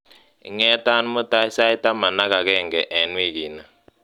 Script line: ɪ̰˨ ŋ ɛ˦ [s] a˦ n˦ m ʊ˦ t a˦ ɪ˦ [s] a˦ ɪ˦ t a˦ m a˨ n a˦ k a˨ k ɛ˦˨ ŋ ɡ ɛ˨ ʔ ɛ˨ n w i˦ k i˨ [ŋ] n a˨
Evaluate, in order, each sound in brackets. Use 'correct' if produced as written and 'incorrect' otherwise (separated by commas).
incorrect, correct, incorrect